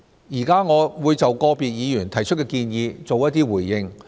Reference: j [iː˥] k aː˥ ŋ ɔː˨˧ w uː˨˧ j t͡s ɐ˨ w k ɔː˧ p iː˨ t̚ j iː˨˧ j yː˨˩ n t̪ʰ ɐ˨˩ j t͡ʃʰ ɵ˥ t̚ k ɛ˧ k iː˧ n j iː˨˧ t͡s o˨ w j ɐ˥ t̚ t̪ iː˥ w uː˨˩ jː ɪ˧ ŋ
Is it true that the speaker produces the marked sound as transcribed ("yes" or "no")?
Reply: no